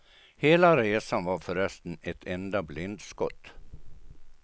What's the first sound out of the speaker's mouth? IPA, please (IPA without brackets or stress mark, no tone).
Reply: h